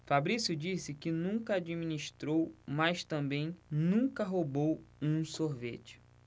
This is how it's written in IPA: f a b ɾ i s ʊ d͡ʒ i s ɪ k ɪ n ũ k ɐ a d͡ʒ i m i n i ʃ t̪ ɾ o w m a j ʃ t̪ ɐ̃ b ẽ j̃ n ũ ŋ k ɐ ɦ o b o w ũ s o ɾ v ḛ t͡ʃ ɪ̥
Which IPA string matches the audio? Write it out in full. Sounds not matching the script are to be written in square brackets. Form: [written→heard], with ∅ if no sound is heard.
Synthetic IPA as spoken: f a b ɾ i s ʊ d͡ʒ i s ɪ k ɪ n ũ k ɐ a d͡ʒ i m i n i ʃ t̪ ɾ o w m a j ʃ t̪ ɐ̃ b ẽ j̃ n ũ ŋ k ɐ ɦ o b o w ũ s o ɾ v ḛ t͡ʃ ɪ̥